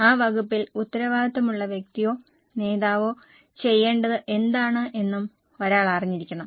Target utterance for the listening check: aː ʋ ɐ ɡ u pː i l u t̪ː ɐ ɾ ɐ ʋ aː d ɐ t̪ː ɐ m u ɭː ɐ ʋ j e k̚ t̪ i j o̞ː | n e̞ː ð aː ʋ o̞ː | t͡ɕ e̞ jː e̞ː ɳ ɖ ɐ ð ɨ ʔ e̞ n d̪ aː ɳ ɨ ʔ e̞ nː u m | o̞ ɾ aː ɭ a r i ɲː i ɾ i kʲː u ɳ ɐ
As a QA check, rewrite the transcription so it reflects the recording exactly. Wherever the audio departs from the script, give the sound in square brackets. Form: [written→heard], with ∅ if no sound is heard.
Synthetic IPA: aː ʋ ɐ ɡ u pː i l u t̪ː ɐ ɾ ɐ ʋ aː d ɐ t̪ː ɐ m u ɭː ɐ ʋ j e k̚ t̪ i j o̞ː | n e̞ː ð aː ʋ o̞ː | t͡ɕ e̞ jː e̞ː ɳ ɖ ɐ ð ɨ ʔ e̞ n d̪ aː ɳ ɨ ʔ e̞ nː u m | o̞ ɾ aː ɭ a r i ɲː i ɾ i kʲː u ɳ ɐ

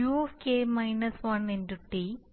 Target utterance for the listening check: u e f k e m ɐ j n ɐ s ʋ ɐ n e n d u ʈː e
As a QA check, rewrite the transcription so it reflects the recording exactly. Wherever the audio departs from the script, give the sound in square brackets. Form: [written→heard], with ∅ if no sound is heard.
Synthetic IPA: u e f k e m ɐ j n ɐ s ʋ ɐ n e n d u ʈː [e→i]

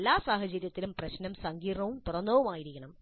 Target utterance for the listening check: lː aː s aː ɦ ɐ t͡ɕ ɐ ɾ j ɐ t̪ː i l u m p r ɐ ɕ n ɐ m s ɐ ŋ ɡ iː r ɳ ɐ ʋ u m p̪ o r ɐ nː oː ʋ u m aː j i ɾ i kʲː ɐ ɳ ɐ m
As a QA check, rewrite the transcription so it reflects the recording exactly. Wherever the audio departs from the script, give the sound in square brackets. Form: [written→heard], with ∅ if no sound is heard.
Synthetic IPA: lː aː s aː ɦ ɐ t͡ɕ ɐ ɾ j ɐ t̪ː i l u m p r ɐ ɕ n ɐ m s ɐ ŋ ɡ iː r ɳ ɐ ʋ u m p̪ [o→u] r ɐ nː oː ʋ u m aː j i ɾ i kʲː ɐ ɳ ɐ m

